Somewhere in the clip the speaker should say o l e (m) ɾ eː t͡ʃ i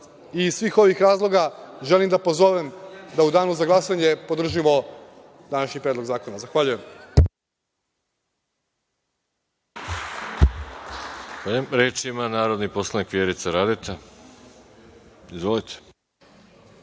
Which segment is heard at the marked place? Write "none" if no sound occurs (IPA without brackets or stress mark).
m